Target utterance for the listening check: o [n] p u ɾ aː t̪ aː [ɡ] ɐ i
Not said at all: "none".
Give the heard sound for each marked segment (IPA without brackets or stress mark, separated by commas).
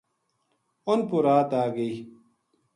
n, ɡ